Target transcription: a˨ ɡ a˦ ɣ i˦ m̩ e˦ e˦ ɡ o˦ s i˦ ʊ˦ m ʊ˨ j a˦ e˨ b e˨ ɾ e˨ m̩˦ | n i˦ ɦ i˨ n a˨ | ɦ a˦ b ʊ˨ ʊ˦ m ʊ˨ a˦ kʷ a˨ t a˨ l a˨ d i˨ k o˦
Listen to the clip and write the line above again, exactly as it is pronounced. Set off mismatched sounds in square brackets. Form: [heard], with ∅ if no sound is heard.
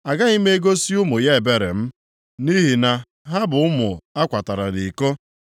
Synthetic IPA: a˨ ɡ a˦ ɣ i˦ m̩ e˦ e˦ ɡ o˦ s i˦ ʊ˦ m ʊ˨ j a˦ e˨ b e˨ ɾ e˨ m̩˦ | n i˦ ɦ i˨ n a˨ | ɦ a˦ b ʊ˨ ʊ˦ m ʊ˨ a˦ kʷ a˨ t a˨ [ɾ] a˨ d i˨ k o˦